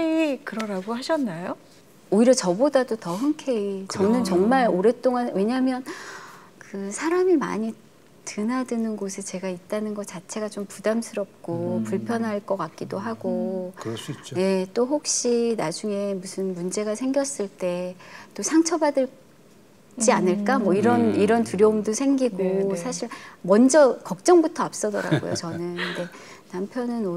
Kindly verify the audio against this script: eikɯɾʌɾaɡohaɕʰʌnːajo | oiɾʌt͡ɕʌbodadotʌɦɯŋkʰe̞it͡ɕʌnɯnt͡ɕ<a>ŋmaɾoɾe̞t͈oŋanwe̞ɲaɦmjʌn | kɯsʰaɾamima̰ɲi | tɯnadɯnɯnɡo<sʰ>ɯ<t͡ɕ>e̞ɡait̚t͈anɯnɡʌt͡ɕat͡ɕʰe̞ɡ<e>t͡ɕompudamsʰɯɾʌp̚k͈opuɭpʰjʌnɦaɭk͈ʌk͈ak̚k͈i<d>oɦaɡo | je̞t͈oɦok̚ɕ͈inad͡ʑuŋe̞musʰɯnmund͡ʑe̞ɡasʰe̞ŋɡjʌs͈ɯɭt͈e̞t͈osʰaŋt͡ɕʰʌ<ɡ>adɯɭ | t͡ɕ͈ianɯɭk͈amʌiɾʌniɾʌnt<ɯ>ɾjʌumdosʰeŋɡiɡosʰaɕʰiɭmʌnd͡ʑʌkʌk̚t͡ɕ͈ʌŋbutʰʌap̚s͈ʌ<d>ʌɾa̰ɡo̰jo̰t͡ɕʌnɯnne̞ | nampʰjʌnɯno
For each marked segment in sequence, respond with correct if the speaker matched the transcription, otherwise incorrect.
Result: incorrect: ʌ, correct, correct, incorrect: a, correct, incorrect: b, incorrect: u, correct

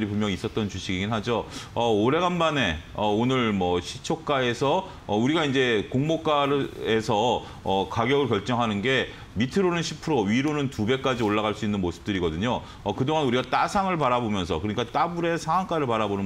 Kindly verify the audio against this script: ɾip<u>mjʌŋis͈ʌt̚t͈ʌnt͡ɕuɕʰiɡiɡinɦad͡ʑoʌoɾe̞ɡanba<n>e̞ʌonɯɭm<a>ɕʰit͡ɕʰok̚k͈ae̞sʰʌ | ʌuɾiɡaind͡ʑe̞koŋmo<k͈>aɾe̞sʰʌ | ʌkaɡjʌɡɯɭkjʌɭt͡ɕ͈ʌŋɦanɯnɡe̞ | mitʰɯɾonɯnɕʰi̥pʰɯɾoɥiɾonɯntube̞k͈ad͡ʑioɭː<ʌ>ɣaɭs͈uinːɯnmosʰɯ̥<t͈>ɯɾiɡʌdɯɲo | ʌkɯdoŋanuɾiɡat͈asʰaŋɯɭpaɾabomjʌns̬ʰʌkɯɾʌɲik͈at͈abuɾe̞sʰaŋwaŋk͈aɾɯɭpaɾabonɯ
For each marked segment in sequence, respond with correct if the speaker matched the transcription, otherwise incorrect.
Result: correct, correct, incorrect: ʌ, correct, incorrect: a, correct

